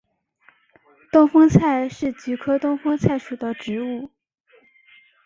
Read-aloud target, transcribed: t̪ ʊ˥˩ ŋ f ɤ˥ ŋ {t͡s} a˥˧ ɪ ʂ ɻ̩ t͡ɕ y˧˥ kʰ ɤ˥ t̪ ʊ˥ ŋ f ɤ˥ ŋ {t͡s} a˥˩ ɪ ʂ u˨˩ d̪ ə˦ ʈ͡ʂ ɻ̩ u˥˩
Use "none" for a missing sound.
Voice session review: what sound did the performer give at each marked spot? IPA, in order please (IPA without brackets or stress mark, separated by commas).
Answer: t͡sʰ, t͡sʰ